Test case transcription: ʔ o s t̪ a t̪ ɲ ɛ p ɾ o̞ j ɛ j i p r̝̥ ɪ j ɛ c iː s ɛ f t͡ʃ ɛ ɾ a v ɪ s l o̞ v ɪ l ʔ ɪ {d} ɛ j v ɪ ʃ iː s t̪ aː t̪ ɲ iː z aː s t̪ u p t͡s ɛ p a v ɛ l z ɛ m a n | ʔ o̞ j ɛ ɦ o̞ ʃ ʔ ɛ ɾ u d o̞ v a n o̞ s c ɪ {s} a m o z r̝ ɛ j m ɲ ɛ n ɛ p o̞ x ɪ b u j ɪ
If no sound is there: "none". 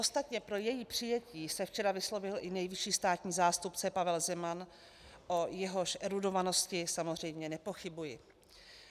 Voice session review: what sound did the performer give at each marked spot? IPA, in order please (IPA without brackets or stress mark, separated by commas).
n, s